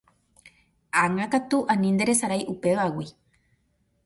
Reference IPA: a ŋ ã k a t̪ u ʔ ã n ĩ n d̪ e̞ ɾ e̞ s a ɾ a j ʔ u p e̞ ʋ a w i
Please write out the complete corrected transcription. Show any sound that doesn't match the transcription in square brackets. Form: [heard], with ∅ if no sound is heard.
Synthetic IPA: a ŋ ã k a t̪ u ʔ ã n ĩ n d̪ e̞ ɾ e̞ s a ɾ a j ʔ u p e̞ ʋ a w i

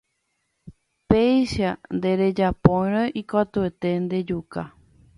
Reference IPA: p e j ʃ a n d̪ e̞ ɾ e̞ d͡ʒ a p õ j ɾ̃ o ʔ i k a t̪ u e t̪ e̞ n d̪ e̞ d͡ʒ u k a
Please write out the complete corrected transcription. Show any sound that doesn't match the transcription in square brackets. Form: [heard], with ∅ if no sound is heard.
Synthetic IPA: p e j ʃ a n d̪ e̞ ɾ e̞ d͡ʒ a p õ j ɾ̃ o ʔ i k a t̪ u e t̪ e̞ n d̪ e̞ d͡ʒ u k a

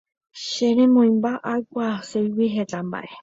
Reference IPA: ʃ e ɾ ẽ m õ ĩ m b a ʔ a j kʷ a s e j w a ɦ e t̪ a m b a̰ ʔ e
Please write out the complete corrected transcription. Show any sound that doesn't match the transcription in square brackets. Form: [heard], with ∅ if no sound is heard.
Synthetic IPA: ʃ e ɾ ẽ m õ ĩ m b a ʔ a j kʷ a s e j w [i] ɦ e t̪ a m b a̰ ʔ e

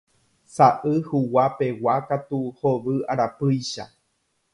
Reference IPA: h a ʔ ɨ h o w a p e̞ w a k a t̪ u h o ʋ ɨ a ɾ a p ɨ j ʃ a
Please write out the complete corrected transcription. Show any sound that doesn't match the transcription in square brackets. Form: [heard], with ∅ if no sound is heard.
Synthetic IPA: [s] a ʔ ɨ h [u] w a p e̞ w a k a t̪ u h o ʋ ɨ a ɾ a p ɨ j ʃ a

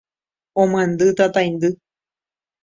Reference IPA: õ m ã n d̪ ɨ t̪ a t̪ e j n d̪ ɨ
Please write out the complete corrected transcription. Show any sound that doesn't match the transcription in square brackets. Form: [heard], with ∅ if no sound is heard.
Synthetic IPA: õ m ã n d̪ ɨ t̪ a t̪ [a] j n d̪ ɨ

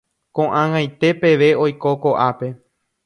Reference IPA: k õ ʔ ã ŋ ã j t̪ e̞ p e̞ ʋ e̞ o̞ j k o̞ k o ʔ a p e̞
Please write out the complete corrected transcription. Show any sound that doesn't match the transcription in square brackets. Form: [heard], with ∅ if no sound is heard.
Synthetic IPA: k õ ʔ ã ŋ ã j t̪ e̞ p e̞ ʋ e̞ o̞ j k o̞ k o ʔ a p e̞

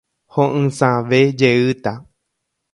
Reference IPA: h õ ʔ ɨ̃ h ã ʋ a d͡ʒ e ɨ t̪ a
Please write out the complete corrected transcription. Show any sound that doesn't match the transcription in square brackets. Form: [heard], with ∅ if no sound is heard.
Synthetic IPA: h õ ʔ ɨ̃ [s] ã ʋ [e] d͡ʒ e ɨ t̪ a

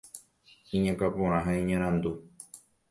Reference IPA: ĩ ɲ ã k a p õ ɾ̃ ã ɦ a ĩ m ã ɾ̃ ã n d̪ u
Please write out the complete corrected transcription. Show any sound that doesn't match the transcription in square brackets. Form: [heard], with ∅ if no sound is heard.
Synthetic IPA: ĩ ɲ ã k a p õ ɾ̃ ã ɦ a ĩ [ɲ] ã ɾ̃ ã n d̪ u

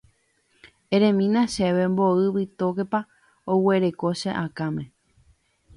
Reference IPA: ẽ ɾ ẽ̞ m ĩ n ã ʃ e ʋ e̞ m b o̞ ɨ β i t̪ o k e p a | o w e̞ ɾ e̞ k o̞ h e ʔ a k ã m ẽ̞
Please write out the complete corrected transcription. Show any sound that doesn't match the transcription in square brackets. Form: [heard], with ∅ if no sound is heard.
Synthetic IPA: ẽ ɾ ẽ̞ m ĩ n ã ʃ e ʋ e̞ m b o̞ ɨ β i t̪ o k e p a | o w e̞ ɾ e̞ k o̞ [ʃ] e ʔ a k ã m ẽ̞

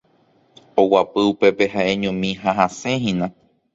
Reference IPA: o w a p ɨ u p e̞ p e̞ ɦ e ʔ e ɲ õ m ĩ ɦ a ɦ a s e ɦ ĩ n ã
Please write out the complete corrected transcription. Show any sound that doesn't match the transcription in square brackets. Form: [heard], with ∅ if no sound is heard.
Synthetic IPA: o w a p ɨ u p e̞ p e̞ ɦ [a] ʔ e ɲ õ m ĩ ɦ a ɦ a s e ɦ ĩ n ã

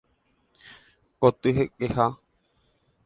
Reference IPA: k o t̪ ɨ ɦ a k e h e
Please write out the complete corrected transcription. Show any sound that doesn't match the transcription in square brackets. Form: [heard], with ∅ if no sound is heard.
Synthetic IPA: k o t̪ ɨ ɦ [e] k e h [a]

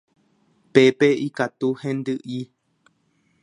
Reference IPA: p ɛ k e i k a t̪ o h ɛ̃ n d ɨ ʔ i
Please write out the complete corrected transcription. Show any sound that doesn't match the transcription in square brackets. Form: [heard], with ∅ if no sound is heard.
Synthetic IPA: p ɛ [p] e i k a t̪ [u] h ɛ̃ n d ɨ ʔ i

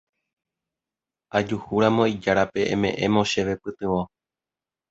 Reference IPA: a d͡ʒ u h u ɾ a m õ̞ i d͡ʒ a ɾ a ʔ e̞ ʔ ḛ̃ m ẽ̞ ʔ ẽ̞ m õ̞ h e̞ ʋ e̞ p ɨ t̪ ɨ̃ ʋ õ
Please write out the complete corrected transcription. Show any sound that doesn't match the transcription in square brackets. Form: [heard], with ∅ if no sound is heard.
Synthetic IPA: a d͡ʒ u h u ɾ a m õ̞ i d͡ʒ a ɾ a [p] e̞ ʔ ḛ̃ m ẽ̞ ʔ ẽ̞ m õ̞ [ʃ] e̞ ʋ e̞ p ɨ t̪ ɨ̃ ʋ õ

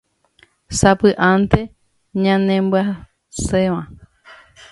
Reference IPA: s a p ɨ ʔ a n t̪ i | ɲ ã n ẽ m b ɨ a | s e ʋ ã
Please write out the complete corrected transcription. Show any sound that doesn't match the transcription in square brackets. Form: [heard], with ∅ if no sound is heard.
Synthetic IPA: s a p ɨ ʔ a n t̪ [e] | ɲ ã n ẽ m b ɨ a | s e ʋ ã

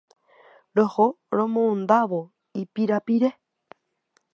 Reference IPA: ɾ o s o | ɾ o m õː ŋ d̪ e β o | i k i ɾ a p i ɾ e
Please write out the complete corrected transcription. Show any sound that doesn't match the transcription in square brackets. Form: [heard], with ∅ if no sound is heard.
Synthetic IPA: ɾ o [h] o | ɾ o m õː [n] d̪ [a] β o | i [p] i ɾ a p i ɾ e

